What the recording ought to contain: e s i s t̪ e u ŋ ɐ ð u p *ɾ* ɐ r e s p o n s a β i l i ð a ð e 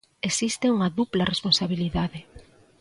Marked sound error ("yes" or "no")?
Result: yes